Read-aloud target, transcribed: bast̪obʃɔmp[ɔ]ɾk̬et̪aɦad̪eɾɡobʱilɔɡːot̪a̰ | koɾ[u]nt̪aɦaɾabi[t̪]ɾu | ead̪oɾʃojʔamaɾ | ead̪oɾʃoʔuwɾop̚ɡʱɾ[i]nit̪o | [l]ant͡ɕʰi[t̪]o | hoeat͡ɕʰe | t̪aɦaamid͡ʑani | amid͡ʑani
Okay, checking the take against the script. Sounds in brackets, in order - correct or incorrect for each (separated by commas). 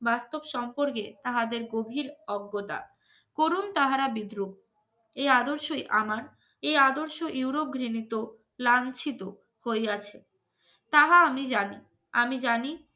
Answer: incorrect, correct, incorrect, correct, correct, correct